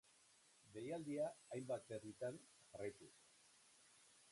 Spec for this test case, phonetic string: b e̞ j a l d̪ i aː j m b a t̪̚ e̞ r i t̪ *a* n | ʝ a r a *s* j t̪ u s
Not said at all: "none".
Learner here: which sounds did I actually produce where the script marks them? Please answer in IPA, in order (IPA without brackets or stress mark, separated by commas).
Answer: a, none